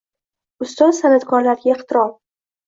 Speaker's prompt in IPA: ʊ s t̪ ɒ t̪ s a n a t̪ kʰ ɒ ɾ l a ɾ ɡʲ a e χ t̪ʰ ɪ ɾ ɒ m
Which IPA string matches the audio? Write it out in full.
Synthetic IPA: ʊ s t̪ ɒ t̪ s a n a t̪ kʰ ɒ ɾ l a ɾ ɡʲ a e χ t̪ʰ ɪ ɾ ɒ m